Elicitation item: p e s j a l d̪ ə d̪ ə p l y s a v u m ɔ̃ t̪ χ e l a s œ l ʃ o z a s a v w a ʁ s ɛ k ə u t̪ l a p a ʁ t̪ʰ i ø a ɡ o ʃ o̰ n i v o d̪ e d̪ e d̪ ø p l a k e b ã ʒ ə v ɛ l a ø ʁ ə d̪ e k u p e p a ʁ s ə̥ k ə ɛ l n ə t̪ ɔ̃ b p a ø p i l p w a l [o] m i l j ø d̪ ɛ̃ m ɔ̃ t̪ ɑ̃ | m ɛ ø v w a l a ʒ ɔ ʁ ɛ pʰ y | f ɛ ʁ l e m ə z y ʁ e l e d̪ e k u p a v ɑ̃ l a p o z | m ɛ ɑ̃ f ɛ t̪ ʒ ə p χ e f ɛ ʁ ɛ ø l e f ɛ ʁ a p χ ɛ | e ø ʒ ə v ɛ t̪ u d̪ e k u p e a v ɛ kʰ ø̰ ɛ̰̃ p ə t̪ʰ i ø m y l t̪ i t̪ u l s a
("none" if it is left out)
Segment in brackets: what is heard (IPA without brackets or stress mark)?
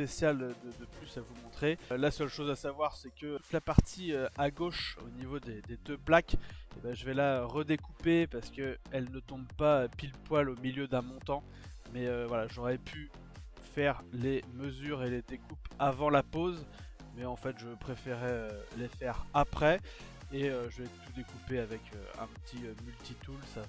o